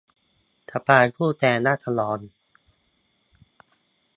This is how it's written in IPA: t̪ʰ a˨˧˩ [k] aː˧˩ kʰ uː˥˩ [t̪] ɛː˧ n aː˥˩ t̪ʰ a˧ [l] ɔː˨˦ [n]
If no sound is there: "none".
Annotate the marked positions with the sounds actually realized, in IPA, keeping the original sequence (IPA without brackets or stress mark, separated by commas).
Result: p, t̪, l, n